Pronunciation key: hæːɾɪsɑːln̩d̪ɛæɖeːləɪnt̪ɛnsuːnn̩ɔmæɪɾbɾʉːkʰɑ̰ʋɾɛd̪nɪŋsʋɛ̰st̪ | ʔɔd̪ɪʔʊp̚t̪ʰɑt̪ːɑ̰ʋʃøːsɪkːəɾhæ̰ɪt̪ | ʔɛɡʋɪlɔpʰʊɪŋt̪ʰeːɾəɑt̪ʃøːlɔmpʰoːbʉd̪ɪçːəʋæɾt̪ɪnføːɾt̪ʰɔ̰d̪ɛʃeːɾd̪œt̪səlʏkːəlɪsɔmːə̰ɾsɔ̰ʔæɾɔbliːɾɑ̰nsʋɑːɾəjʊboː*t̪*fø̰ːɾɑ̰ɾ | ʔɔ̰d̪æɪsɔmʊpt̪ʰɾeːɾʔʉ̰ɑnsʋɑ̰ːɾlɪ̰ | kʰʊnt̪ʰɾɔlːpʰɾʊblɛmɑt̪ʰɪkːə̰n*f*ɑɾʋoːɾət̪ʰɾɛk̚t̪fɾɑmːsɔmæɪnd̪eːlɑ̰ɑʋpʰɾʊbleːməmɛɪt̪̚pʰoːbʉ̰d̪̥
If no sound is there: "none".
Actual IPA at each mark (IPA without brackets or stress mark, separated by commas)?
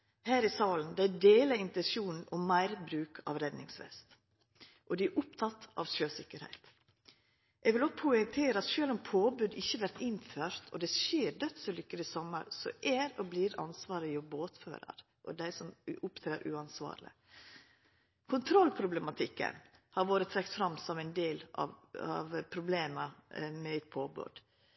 t̪, h